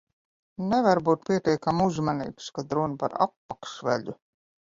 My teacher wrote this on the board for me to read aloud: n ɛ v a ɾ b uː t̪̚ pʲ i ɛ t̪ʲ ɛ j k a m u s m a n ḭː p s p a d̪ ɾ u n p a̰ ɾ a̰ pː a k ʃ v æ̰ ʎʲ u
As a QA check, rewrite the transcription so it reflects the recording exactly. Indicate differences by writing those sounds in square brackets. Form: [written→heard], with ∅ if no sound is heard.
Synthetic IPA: n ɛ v a ɾ b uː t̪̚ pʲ i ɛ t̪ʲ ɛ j k a m u [s→z] m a n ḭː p s [p→k] a d̪ ɾ u n p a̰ ɾ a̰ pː a k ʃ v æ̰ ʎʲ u